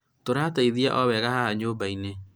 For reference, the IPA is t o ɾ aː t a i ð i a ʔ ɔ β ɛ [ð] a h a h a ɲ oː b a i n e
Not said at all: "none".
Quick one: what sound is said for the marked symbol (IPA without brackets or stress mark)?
ɣ